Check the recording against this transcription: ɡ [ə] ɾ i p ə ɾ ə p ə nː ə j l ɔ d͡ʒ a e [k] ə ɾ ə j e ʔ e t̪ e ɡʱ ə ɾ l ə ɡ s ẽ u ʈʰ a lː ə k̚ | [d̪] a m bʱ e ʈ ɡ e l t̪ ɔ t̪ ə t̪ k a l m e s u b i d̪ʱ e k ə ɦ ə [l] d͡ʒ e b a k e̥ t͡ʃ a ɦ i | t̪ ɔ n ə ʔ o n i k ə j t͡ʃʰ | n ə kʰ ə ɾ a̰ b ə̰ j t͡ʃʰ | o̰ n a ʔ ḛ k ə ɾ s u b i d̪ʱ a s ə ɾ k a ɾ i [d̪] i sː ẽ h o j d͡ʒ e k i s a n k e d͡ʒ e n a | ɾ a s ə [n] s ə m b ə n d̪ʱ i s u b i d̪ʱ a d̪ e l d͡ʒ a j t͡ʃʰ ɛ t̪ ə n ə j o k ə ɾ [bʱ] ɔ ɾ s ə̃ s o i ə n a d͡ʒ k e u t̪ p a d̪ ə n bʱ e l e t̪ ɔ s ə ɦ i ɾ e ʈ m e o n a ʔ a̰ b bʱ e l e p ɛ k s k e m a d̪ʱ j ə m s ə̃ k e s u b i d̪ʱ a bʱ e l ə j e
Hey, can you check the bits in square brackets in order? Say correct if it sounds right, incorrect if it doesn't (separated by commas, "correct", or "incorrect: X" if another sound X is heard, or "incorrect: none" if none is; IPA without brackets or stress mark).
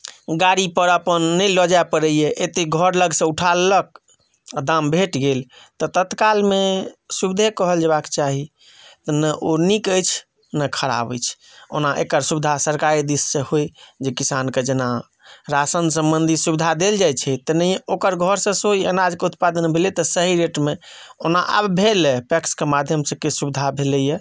incorrect: a, incorrect: p, correct, correct, correct, correct, incorrect: ɡʱ